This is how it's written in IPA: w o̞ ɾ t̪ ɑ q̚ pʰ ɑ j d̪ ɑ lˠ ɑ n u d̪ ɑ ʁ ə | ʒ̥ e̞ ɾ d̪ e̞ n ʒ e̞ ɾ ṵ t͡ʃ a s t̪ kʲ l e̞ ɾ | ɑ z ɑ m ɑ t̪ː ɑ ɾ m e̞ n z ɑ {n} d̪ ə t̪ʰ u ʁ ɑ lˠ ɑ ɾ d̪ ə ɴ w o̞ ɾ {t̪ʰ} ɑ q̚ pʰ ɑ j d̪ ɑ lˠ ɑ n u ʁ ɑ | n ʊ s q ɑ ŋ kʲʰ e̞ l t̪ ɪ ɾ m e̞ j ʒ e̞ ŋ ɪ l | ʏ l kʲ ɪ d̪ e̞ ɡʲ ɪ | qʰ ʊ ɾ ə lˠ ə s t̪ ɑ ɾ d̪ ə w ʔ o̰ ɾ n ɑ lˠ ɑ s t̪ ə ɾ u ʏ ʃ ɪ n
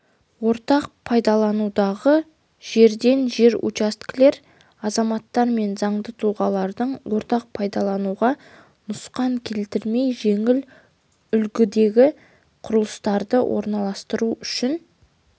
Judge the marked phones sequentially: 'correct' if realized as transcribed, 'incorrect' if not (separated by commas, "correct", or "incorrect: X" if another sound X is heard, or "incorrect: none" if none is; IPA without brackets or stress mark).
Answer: incorrect: ɴ, incorrect: t̪